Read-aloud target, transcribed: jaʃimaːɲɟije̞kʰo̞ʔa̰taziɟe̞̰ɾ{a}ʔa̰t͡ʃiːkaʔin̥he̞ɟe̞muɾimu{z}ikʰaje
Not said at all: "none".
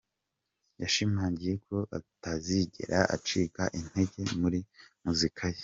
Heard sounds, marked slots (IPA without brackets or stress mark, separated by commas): a, z